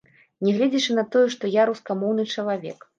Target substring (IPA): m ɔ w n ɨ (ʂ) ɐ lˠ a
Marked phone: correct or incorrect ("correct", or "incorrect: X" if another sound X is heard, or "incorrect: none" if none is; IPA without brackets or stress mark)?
incorrect: t͡ʂ